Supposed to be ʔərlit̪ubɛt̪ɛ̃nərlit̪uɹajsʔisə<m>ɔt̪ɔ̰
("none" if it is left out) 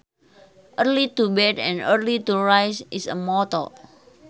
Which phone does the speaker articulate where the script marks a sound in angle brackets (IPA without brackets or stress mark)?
m